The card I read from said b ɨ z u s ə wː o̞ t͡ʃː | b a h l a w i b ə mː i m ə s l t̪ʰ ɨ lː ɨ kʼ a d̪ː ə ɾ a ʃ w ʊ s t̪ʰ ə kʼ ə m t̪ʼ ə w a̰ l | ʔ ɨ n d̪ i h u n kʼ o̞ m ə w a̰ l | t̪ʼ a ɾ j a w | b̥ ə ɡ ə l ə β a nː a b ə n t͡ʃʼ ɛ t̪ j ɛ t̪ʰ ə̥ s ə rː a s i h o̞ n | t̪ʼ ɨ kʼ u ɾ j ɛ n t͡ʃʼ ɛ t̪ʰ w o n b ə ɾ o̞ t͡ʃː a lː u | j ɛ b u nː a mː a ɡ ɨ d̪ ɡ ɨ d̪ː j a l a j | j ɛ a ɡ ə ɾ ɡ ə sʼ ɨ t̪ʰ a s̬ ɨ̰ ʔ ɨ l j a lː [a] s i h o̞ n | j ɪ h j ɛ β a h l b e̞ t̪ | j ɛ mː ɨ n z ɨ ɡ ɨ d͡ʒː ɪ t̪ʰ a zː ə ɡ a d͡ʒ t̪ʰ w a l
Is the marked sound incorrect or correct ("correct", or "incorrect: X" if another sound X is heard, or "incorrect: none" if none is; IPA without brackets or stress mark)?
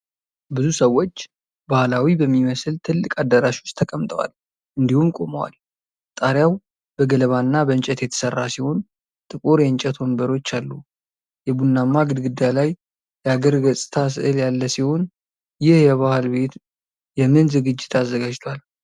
incorrect: ə